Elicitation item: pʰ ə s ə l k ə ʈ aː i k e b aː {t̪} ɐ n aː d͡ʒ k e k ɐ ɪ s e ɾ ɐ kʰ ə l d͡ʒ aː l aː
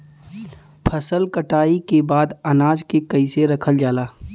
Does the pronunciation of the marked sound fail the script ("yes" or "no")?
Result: yes